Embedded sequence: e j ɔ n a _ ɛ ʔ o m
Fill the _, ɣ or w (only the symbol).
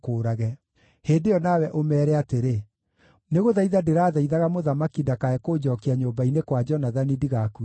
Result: w